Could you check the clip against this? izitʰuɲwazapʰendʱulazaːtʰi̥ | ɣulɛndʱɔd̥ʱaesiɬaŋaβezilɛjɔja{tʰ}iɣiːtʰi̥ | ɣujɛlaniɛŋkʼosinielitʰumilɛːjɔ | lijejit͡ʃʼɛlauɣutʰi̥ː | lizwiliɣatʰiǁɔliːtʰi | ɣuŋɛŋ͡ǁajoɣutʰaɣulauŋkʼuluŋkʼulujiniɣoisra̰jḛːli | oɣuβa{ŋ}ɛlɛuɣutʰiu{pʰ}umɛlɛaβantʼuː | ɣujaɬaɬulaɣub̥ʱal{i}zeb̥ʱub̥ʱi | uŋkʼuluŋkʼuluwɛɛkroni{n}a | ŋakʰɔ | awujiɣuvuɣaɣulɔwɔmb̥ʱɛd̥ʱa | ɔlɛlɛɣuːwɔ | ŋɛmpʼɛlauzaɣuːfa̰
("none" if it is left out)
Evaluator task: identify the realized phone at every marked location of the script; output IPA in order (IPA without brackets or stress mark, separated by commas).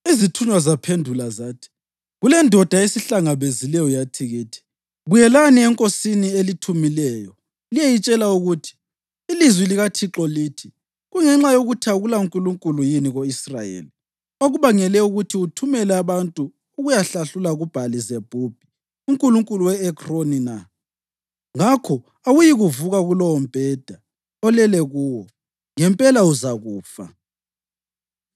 tʰ, ŋ, tʰ, i, n